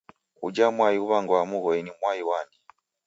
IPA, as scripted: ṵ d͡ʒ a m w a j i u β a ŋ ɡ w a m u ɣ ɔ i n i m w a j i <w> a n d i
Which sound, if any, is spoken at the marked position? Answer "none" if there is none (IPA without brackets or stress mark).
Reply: w